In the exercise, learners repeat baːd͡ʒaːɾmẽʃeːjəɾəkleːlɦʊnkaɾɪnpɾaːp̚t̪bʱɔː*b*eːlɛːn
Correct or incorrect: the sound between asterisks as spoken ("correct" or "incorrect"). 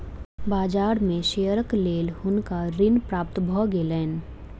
incorrect